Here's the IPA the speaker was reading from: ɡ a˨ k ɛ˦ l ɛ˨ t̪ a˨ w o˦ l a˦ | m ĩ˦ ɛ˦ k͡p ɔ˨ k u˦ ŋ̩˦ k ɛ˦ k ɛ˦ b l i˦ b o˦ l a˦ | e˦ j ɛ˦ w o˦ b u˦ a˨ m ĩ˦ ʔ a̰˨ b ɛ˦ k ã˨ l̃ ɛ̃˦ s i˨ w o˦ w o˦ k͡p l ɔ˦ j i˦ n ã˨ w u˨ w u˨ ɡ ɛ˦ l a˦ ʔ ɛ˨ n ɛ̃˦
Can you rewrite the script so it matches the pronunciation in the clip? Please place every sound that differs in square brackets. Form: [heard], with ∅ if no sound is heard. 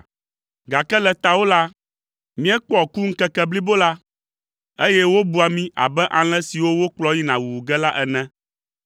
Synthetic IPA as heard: ɡ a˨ k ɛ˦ l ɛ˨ t̪ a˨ w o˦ l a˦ | m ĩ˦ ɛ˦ k͡p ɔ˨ k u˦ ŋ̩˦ k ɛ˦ k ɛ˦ b l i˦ b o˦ l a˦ | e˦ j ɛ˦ w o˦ b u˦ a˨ m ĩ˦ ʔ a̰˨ b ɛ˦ [ʔ] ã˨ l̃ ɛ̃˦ s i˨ w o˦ w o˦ k͡p l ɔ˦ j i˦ n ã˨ w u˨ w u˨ ɡ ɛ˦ l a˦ ʔ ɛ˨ n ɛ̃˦

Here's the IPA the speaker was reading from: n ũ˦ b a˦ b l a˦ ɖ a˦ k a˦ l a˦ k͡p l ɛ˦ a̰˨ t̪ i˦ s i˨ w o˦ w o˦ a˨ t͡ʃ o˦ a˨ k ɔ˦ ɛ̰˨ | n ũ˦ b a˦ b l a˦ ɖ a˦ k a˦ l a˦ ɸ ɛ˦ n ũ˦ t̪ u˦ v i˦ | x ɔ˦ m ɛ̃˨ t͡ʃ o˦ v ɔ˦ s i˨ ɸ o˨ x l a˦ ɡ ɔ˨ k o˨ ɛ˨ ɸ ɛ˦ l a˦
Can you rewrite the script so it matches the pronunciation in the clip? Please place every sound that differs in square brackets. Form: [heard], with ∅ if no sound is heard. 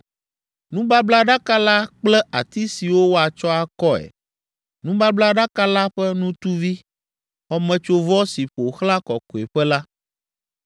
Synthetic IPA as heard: n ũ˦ b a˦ b l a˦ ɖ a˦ k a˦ l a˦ k͡p l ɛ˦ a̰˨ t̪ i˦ s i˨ w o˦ w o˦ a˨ t͡ʃ [ɔ˦] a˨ k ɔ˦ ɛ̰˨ | n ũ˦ b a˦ b l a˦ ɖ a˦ k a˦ l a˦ ɸ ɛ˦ n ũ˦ t̪ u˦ v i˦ | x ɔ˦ m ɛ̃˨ t͡ʃ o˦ v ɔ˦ s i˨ ɸ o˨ x l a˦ [k] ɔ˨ k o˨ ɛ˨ ɸ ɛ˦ l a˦

